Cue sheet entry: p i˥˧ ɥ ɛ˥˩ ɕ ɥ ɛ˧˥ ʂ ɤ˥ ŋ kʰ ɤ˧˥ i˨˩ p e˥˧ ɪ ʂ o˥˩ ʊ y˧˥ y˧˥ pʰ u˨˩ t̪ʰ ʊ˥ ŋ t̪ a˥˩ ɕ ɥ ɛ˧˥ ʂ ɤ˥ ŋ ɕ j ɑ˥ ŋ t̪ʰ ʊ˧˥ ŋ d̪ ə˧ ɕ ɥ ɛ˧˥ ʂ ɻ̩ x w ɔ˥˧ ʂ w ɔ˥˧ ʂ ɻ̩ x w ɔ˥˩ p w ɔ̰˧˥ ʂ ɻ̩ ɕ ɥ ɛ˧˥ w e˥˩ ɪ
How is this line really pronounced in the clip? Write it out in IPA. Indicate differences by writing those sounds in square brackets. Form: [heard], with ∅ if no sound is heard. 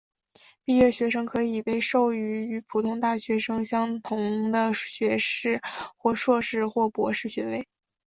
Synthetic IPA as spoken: p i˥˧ ɥ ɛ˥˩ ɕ ɥ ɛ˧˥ ʂ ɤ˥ ŋ kʰ ɤ˧˥ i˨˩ p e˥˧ ɪ ʂ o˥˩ ʊ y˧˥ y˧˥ pʰ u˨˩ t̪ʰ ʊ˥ ŋ t̪ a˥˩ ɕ ɥ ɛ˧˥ ʂ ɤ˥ ŋ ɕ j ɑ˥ ŋ t̪ʰ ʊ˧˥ ŋ d̪ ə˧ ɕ ɥ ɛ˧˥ ʂ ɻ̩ x w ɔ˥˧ ʂ w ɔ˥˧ ʂ ɻ̩ x w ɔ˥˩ p w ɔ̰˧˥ ʂ ɻ̩ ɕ ɥ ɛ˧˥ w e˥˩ ɪ